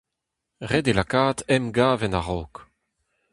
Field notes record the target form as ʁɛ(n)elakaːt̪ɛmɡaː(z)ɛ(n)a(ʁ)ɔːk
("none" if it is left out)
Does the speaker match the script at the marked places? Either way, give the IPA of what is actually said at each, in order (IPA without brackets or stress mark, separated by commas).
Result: d, v, n, ʁ